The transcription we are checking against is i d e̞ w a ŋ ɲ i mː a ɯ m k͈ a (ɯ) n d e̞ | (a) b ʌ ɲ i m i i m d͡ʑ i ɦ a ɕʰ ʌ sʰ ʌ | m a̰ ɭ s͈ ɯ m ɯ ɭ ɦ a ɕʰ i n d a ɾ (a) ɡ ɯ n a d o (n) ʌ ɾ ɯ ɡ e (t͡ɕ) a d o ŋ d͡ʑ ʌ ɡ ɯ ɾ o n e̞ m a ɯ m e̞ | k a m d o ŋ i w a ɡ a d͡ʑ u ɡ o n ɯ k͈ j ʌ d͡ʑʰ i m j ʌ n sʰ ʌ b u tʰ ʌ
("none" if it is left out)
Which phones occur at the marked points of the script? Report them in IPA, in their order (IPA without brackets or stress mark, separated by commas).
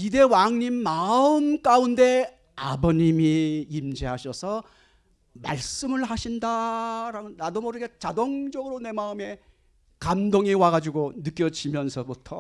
u, a, a, m, t͡ɕ